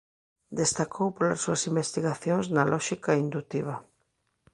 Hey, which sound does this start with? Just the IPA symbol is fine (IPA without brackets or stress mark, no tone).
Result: d̪